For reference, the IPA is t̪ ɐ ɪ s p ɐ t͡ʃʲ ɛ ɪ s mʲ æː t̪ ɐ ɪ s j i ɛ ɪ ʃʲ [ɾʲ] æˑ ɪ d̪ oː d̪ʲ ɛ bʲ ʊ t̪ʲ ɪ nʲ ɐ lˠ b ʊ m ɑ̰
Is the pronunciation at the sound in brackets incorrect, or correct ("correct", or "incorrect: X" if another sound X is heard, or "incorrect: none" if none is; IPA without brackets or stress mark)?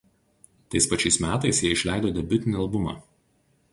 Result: incorrect: lʲ